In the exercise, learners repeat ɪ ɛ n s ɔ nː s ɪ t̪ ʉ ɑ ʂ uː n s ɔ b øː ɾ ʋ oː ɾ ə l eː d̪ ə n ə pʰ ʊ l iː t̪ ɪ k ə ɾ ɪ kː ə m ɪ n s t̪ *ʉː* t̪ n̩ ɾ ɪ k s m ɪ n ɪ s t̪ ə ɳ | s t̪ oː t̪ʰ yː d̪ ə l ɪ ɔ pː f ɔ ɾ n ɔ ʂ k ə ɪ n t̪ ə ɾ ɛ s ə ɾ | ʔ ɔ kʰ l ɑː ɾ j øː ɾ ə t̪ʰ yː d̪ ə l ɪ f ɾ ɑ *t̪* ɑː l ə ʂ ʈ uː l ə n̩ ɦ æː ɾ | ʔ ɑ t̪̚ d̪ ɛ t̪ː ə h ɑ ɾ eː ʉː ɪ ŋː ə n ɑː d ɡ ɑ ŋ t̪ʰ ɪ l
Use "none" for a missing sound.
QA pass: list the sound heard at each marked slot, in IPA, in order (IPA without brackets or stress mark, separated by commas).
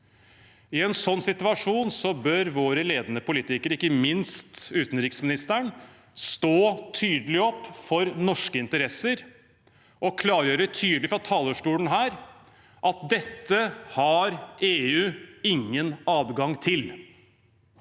ʉː, t̪ʰ